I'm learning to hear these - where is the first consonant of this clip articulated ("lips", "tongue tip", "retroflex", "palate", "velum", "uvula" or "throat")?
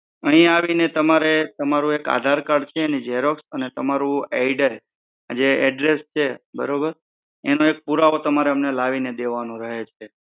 throat